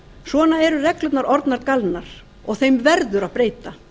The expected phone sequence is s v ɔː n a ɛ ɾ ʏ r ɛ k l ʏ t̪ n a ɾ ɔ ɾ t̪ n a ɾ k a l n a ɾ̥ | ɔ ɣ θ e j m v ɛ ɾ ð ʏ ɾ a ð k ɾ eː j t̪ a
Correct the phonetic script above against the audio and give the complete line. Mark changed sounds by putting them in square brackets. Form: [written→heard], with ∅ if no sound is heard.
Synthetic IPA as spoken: s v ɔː n a ɛ ɾ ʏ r ɛ k l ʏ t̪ n a ɾ ɔ ɾ t̪ n a ɾ k a l n a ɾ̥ | ɔ ɣ θ e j m v ɛ ɾ ð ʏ ɾ a ð [k→p] ɾ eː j t̪ a